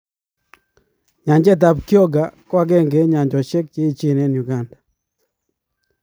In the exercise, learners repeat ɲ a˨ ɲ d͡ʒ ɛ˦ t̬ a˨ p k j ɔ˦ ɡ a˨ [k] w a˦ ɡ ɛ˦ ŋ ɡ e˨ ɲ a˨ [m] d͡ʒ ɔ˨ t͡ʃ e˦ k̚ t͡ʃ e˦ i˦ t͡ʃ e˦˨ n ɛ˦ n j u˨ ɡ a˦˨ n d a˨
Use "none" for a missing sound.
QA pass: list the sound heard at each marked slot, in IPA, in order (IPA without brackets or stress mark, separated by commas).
k, ɲ